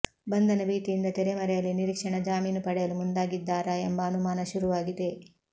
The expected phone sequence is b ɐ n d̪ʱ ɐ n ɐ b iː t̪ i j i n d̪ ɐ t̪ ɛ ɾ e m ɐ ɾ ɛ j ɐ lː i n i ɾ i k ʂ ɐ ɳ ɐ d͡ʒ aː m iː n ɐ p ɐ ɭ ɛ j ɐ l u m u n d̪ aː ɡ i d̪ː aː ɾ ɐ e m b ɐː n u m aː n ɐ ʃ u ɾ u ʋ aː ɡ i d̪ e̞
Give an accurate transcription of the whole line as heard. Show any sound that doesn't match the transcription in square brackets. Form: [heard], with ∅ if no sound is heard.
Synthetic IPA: b ɐ n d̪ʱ ɐ n ɐ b iː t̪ i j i n d̪ ɐ t̪ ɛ ɾ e m ɐ ɾ ɛ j ɐ lː i n i ɾ i k ʂ ɐ ɳ ɐ d͡ʒ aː m iː n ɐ p ɐ [ɽ] ɛ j ɐ l u m u n d̪ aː ɡ i d̪ː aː ɾ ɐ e m b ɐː n u m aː n ɐ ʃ u ɾ u ʋ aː ɡ i d̪ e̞